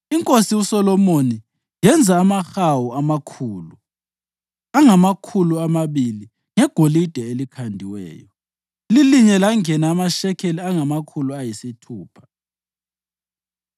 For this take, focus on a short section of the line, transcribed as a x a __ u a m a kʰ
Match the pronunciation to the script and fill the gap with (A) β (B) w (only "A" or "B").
B